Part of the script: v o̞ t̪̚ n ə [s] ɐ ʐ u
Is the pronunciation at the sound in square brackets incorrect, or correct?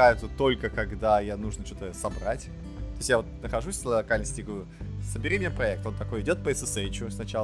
incorrect